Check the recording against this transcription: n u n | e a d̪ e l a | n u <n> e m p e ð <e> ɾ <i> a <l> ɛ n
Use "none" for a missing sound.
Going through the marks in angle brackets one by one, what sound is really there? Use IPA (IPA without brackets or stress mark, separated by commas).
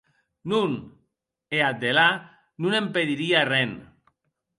n, i, i, r